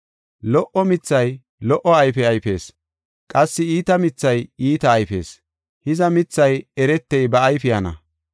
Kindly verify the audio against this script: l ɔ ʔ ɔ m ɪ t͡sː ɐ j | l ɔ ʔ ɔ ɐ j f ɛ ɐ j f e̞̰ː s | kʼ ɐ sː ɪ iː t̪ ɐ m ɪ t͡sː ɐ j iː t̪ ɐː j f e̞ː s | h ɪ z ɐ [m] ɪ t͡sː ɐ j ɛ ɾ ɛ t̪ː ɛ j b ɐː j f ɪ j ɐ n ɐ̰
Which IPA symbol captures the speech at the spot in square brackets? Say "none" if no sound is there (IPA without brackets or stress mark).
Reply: m